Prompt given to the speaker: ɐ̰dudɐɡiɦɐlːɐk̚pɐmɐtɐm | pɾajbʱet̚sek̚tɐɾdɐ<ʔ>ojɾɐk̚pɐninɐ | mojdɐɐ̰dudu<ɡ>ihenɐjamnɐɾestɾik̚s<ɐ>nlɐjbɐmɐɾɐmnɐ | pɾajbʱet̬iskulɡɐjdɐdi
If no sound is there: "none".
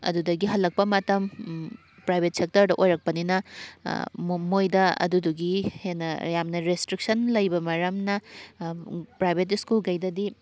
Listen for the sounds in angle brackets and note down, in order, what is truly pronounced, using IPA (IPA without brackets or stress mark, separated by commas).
ʔ, ɡ, ɐ